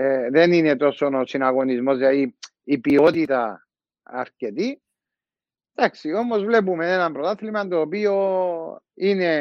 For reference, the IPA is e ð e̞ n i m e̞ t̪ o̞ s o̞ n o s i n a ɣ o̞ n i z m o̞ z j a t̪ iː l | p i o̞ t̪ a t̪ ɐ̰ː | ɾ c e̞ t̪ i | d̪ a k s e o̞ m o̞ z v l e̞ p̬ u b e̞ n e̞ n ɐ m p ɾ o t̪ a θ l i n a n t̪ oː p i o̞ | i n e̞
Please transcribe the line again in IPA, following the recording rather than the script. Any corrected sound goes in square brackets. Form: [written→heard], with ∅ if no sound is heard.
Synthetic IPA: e ð e̞ n i [m→n] e̞ t̪ o̞ s o̞ n o s i n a ɣ o̞ n i z m o̞ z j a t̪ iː [l→∅] | p i o̞ t̪ [a→i] t̪ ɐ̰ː | ɾ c e̞ t̪ i | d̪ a k s [e→i] o̞ m o̞ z v l e̞ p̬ u [b→m] e̞ n e̞ n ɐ m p ɾ o t̪ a θ l i [n→m] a n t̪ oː p i o̞ | i n e̞